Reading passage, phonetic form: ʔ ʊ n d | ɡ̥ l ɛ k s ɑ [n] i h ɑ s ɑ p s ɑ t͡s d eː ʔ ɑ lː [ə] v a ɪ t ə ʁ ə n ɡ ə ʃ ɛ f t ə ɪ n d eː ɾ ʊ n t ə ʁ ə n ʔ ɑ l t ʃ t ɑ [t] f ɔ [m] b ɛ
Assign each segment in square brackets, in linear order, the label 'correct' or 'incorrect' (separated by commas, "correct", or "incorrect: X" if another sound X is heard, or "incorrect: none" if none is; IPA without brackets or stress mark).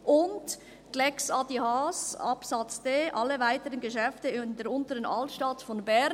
incorrect: d, correct, correct, incorrect: n